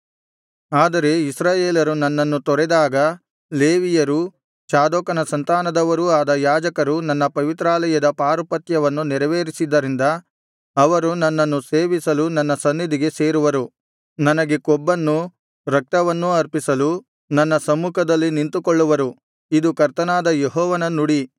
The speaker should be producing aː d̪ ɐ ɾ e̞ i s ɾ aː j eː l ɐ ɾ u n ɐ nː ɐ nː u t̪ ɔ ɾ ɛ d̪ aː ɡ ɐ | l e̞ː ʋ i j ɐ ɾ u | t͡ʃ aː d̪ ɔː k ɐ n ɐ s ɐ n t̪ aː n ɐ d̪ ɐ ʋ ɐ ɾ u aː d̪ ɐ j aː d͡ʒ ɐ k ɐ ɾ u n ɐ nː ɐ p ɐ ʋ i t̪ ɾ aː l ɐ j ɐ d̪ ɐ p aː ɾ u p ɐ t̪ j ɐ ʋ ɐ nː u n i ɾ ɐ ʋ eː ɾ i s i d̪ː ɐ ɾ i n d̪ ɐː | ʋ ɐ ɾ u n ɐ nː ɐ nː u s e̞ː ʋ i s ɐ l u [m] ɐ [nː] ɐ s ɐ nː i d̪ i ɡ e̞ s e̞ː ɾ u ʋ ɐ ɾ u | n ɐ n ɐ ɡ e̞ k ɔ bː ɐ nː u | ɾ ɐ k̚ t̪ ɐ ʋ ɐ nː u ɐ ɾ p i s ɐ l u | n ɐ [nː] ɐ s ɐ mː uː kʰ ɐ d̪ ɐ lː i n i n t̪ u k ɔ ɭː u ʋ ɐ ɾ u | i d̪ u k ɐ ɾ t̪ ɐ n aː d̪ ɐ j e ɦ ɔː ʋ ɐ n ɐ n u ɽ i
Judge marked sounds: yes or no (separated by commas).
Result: no, yes, yes